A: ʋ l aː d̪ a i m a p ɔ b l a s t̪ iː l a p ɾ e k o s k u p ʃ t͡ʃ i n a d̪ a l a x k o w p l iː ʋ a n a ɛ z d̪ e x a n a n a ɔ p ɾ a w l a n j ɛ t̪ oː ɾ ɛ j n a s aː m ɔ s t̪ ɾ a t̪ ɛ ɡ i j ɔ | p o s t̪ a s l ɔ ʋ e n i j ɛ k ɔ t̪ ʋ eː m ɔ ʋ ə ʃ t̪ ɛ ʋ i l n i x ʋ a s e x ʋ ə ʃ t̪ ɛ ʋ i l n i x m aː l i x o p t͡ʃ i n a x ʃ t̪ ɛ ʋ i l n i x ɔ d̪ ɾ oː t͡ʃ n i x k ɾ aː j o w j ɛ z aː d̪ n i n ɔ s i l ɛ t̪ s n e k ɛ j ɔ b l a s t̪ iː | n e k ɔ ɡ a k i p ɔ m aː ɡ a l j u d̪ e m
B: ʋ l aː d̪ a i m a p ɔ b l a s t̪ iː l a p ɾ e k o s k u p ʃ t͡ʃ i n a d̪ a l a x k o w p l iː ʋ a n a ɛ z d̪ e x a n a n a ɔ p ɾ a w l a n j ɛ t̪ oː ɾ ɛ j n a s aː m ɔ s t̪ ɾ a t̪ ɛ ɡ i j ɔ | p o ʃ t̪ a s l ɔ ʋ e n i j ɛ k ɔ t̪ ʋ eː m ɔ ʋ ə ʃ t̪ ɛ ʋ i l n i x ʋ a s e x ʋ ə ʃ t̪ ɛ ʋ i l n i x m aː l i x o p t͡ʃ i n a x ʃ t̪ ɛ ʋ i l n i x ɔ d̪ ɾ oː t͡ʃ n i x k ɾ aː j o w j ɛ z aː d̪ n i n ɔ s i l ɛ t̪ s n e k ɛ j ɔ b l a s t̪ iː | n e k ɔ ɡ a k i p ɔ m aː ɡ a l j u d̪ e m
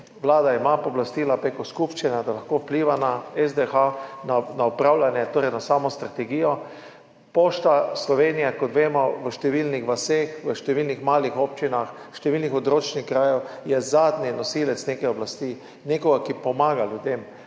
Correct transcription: B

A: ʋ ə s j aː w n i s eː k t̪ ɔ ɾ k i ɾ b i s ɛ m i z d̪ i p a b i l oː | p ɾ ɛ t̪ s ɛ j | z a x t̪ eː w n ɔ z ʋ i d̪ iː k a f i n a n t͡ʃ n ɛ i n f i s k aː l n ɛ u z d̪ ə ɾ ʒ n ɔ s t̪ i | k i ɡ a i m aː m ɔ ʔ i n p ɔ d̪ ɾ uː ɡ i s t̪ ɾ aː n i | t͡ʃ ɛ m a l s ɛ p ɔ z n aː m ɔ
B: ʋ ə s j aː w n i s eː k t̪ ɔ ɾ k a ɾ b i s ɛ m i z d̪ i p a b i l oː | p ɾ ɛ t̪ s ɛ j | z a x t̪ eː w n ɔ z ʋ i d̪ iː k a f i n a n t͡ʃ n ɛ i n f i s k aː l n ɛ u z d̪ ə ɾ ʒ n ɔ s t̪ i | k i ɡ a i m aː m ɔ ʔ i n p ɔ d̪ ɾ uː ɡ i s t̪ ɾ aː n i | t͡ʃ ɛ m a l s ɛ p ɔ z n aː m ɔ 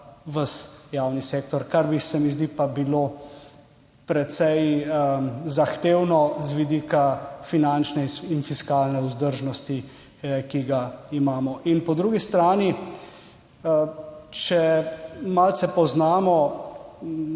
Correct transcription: B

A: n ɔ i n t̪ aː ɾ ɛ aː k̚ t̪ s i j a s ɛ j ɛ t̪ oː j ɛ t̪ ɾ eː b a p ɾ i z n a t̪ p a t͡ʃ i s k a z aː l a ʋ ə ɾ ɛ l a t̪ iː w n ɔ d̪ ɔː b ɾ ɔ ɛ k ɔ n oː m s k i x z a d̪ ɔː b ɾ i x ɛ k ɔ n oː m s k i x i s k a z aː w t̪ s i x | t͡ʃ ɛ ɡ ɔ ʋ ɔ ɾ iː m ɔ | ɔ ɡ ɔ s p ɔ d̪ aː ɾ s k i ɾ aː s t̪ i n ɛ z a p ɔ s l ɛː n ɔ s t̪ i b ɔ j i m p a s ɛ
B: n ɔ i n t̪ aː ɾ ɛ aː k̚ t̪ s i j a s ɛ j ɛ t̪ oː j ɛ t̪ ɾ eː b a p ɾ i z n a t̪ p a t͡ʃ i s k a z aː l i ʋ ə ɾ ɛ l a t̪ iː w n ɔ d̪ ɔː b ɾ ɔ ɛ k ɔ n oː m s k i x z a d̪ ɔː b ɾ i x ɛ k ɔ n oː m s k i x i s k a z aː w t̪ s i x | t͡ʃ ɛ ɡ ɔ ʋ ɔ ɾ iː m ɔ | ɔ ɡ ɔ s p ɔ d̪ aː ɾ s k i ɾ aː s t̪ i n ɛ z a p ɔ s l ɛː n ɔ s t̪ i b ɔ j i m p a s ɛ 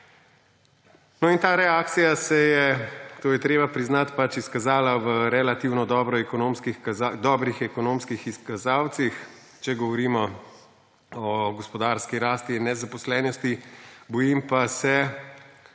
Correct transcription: A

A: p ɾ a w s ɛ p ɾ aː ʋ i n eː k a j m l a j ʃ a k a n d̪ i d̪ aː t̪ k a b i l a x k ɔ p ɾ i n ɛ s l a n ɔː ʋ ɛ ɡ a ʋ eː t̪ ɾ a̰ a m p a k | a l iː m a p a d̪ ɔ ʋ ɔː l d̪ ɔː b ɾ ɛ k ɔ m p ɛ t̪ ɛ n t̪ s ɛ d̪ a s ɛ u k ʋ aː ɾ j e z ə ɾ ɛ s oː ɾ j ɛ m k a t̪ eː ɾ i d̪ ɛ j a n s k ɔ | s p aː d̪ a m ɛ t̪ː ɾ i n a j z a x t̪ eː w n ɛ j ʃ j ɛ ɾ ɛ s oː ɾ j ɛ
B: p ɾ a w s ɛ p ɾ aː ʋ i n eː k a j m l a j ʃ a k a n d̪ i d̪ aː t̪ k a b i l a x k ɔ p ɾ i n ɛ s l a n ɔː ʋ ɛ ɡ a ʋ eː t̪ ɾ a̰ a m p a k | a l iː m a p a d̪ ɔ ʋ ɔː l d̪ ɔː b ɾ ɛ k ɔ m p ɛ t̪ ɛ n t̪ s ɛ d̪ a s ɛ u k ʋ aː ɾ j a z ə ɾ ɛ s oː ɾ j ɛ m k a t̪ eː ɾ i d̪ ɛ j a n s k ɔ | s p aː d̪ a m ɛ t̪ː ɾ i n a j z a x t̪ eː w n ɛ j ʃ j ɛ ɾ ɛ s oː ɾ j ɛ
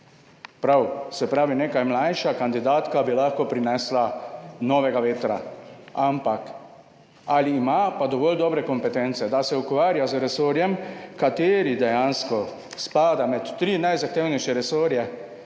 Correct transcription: B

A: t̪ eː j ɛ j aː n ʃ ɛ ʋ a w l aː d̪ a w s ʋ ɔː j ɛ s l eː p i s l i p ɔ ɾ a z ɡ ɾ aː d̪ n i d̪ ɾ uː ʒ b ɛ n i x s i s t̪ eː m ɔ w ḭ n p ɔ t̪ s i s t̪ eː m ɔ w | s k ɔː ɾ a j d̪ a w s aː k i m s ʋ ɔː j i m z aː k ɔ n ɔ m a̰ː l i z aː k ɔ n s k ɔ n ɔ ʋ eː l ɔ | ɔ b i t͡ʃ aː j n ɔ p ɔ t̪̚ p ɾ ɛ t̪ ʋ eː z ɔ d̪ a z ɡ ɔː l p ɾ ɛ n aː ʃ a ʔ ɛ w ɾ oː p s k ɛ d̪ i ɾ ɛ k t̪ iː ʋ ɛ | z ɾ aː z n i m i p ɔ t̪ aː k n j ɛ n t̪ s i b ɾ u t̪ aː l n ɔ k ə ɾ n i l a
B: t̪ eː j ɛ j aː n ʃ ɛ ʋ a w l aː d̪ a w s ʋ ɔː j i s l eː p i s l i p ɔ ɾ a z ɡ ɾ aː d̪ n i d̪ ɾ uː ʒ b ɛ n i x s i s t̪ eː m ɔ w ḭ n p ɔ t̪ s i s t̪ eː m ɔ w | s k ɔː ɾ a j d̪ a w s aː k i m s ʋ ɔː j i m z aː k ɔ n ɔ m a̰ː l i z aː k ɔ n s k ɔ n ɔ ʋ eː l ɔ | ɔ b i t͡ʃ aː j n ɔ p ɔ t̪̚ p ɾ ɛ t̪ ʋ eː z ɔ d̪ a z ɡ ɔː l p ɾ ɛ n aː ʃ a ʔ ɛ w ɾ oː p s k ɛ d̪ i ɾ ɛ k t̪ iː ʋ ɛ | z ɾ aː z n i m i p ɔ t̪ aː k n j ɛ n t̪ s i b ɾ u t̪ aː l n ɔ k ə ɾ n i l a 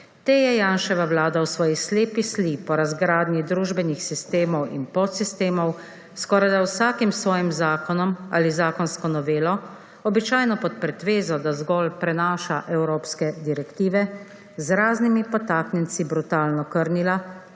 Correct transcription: B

